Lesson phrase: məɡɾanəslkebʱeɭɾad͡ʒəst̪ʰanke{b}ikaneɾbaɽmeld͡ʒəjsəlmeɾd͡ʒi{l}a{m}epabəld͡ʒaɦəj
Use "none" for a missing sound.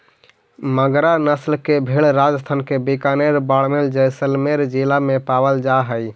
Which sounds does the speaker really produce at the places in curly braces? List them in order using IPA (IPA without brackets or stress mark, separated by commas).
b, l, m